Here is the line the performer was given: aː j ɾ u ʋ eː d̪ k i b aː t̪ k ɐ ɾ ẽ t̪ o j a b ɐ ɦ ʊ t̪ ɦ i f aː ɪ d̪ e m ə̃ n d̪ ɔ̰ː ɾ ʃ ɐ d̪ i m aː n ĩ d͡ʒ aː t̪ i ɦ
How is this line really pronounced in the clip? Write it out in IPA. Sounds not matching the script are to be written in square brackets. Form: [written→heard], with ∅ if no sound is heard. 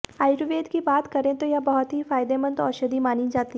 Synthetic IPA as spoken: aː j ɾ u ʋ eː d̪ k i b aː t̪ k ɐ ɾ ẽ t̪ o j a b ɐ ɦ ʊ t̪ ɦ i f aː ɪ d̪ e m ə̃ n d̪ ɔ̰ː ɾ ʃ ɐ d̪ i m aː n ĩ d͡ʒ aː t̪ i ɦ

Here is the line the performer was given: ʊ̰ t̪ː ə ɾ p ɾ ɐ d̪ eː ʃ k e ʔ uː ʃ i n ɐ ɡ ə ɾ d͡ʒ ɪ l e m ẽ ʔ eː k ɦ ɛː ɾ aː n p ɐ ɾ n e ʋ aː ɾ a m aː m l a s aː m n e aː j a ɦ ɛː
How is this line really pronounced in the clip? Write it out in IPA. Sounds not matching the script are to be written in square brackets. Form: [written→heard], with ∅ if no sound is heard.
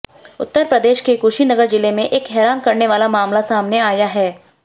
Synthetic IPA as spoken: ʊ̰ t̪ː ə ɾ p ɾ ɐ d̪ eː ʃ k e [ʔ→k] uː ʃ i n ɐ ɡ ə ɾ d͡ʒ ɪ l e m ẽ ʔ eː k ɦ ɛː ɾ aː n [p→k] ɐ ɾ n e ʋ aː [ɾ→l] a m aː m l a s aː m n e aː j a ɦ ɛː

